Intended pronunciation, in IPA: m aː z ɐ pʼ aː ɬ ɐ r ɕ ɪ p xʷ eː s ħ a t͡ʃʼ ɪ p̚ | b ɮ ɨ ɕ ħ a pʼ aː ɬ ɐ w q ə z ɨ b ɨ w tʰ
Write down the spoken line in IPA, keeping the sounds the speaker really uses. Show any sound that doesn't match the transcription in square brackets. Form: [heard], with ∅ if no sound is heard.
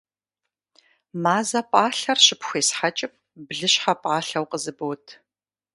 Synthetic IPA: m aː z ɐ pʼ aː ɬ ɐ r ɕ ɪ p xʷ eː s ħ a t͡ʃʼ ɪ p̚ | b ɮ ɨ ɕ ħ a pʼ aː ɬ ɐ w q ə z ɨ b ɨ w tʰ